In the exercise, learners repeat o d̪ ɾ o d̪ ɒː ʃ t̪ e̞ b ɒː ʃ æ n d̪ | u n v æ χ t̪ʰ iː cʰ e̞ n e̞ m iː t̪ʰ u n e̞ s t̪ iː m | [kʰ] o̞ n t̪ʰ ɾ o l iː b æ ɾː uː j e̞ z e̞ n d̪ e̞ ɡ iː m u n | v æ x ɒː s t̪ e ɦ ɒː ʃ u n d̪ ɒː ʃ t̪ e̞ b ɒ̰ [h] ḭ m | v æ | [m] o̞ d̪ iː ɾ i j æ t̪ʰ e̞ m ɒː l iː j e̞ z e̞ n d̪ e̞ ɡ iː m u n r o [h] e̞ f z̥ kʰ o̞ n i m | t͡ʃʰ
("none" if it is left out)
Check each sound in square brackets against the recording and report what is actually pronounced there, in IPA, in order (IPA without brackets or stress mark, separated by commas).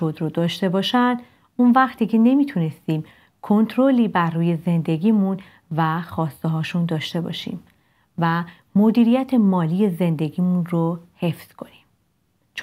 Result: kʰ, ʃ, m, h